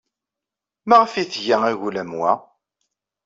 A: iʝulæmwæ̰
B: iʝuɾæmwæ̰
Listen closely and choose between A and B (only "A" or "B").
A